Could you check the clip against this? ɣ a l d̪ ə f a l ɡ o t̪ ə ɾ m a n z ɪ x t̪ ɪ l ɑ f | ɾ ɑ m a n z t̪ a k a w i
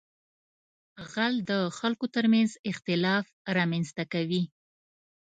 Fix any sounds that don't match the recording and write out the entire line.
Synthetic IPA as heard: ɣ a l d̪ ə x a l k o t̪ ə ɾ m a n z ɪ x t̪ ɪ l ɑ f | ɾ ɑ m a n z t̪ a k a w i